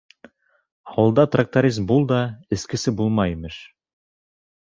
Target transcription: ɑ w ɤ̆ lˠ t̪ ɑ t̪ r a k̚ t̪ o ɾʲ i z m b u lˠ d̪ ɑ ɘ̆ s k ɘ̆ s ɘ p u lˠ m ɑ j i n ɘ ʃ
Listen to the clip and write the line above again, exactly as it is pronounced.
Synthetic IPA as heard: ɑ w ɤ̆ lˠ d̪ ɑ t̪ r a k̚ t̪ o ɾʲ i z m b u lˠ d̪ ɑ ɘ̆ s k ɘ̆ s ɘ b u lˠ m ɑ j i m ɘ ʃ

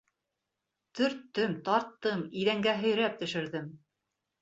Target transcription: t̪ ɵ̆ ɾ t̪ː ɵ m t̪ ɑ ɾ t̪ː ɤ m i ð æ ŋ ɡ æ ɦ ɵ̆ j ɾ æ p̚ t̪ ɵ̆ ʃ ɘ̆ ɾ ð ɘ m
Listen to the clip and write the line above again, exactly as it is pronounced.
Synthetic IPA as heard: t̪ ɵ̆ ɾ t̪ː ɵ m t̪ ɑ ɾ t̪ː ɤ m i ð æ ŋ ɡ æ ɦ ɵ̆ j ɾ æ p̚ t̪ ɵ̆ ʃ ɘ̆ ɾ ð ɘ m

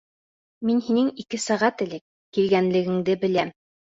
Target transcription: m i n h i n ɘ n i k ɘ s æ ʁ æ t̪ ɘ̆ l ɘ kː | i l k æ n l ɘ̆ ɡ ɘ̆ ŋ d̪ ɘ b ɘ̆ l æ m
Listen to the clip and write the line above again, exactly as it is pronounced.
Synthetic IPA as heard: m i n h i n ɘ ŋ i k ɘ s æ ʁ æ t̪ ɘ̆ l ɘ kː | i l ɡ æ n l ɘ̆ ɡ ɘ̆ ŋ d̪ ɘ b ɘ̆ l æ m

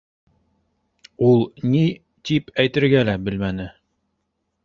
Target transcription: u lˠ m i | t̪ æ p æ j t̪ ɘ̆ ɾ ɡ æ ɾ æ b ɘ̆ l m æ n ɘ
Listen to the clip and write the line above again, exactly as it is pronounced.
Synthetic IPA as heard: u lˠ n i | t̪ i p æ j t̪ ɘ̆ ɾ ɡ æ l æ b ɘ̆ l m æ n ɘ

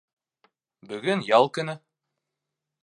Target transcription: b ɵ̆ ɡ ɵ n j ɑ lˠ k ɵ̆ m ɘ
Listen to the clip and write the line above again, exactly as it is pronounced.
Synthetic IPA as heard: b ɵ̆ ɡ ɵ n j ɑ lˠ k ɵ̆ n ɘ

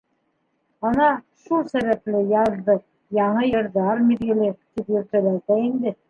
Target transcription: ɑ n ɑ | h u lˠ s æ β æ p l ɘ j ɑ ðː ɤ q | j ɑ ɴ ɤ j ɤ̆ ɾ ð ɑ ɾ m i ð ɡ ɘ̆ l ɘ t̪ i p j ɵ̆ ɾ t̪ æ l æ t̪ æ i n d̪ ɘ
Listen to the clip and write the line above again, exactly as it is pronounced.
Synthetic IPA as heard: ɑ n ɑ | ʃ u lˠ s æ β æ p l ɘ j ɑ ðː ɤ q | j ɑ ɴ ɤ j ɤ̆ ɾ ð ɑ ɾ m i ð ɡ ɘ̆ l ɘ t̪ i p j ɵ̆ ɾ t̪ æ l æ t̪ æ i n d̪ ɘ

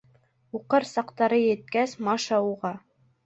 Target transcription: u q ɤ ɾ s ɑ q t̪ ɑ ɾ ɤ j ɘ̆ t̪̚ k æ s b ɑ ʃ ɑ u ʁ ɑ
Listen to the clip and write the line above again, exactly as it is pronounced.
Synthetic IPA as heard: u q ɤ ɾ s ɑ q t̪ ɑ ɾ ɤ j ɘ̆ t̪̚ k æ s m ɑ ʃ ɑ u ʁ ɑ

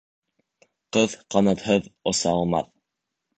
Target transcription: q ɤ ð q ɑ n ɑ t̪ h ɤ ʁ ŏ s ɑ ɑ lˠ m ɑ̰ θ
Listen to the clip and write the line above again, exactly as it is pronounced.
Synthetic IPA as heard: q ɤ ð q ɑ n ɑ t̪ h ɤ ð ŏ s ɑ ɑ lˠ m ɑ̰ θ

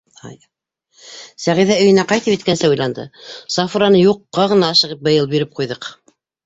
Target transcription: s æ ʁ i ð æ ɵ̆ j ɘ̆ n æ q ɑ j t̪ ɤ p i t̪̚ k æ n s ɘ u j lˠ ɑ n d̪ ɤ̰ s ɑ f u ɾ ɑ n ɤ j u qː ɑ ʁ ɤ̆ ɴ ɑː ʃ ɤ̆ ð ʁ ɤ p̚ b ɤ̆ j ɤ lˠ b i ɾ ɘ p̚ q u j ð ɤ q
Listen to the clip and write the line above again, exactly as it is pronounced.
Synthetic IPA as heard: s æ ʁ i ð æ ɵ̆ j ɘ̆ n æ q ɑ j t̪ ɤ p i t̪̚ k æ n s ɘ u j lˠ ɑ n d̪ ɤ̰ s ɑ f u ɾ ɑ n ɤ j u qː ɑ ʁ ɤ̆ n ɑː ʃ ɤ̆ ʁ ɤ p̚ b ɤ̆ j ɤ lˠ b i ɾ ɘ p̚ q u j ð ɤ q

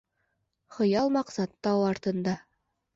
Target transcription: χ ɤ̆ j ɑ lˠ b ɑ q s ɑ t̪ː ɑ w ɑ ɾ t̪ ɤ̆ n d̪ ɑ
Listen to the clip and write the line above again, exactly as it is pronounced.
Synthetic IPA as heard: χ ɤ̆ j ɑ lˠ m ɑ q s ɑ t̪ː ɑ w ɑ ɾ t̪ ɤ̆ n d̪ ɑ

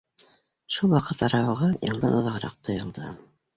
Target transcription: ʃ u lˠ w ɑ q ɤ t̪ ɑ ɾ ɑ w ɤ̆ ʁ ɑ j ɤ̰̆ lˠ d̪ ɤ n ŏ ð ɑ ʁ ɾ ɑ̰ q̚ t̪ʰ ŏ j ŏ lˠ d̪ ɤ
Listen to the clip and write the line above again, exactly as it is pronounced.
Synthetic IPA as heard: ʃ u lˠ w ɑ q ɤ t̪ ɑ ɾ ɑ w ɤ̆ ʁ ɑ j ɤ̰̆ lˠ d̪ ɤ n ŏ ð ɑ ʁ ɾ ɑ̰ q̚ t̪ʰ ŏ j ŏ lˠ d̪ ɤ

